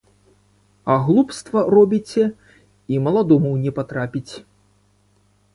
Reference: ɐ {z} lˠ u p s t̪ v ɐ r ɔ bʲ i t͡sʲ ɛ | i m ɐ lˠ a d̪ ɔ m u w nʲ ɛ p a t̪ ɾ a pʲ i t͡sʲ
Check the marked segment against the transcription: incorrect: ɣ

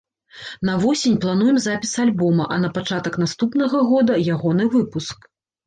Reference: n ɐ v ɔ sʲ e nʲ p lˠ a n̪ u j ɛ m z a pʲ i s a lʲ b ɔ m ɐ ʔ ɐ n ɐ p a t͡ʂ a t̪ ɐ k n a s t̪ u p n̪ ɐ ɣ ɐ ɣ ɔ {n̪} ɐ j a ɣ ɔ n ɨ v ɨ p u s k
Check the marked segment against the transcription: incorrect: d̪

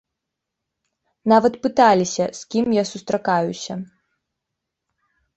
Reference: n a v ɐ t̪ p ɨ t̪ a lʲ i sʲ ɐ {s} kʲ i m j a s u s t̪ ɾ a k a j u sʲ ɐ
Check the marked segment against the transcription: correct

